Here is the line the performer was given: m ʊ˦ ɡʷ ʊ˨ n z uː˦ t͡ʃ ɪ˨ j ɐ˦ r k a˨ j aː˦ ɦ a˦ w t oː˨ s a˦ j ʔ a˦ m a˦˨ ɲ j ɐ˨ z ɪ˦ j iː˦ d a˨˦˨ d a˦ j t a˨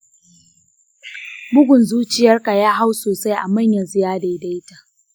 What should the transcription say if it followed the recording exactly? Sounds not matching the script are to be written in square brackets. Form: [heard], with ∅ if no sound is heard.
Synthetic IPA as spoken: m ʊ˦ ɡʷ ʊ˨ n z uː˦ t͡ʃ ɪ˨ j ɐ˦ r k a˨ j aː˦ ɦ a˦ w [s] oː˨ s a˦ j ʔ [a˨] m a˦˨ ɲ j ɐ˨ z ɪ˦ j [aː˦] d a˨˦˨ d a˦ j t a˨